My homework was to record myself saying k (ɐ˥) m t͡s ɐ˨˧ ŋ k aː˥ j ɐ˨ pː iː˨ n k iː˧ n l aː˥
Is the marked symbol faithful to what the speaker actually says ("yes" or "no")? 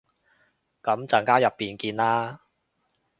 no